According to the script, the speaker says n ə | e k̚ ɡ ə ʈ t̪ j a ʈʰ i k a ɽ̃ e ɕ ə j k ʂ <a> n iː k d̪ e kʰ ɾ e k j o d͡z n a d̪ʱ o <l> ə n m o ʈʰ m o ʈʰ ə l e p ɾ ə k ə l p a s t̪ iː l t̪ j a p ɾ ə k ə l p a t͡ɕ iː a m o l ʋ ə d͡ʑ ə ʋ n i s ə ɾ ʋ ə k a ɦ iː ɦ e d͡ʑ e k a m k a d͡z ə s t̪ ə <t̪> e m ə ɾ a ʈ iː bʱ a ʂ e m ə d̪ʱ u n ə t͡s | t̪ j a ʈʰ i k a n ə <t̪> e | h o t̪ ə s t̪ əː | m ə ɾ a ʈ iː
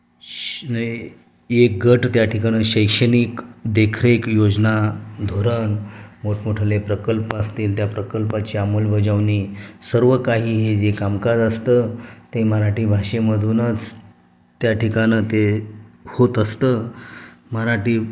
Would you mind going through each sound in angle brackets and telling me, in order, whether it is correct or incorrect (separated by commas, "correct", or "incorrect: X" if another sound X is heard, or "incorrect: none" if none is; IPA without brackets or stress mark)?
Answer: incorrect: ə, incorrect: ɾ, correct, correct